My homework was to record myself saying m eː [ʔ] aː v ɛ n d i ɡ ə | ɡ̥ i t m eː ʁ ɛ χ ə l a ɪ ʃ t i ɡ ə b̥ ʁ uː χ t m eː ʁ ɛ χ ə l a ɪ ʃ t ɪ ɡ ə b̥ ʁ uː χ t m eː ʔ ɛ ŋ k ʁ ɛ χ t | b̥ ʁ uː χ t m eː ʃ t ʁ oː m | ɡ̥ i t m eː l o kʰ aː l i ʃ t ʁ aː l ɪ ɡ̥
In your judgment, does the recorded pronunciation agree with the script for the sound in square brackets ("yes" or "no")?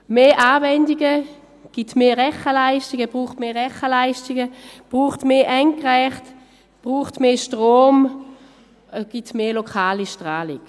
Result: yes